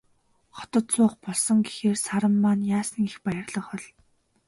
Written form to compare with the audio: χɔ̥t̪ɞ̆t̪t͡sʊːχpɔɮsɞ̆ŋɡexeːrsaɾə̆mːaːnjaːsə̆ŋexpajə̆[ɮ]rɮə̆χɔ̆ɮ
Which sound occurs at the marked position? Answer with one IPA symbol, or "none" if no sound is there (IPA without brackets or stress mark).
none